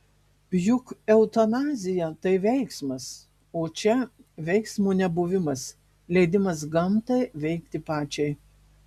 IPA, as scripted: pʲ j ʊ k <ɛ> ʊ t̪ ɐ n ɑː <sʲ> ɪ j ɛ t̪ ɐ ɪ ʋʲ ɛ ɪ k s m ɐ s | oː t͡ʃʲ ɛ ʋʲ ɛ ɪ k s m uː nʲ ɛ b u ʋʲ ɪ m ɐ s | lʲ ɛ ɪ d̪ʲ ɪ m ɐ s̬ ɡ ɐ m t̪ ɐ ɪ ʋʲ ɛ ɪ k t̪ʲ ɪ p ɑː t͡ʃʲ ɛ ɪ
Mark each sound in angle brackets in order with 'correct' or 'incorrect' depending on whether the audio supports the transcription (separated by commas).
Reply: correct, incorrect